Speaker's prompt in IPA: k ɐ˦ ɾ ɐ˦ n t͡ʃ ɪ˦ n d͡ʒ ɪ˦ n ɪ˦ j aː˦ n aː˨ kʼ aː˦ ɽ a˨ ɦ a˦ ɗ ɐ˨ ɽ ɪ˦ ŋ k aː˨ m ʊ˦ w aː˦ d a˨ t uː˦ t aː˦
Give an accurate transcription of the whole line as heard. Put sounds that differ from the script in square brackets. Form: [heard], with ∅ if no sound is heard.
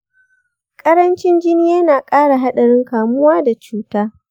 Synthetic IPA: [kʼ] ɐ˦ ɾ ɐ˦ n t͡ʃ ɪ˦ n d͡ʒ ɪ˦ n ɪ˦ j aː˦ n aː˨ kʼ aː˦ ɽ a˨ ɦ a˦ ɗ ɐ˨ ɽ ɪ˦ ŋ k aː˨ m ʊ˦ w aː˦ d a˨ [t͡ʃ] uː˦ t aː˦